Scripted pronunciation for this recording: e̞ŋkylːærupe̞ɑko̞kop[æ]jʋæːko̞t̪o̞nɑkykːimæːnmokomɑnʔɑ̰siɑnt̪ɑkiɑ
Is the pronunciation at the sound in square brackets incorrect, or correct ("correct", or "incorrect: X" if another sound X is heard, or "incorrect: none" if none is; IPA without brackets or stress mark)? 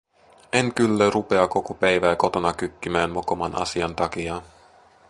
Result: correct